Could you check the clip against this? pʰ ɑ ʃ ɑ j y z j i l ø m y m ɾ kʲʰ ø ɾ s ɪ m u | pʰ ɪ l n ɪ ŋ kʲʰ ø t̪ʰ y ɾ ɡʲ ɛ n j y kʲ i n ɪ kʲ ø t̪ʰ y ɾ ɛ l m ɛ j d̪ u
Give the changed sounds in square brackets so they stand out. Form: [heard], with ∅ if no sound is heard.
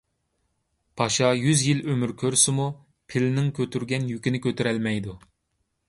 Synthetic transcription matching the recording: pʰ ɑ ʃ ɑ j y z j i l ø m y [∅] ɾ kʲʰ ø ɾ s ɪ m u | pʰ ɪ l n ɪ ŋ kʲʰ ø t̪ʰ y ɾ ɡʲ ɛ n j y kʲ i n ɪ kʲ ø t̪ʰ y ɾ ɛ l m ɛ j d̪ u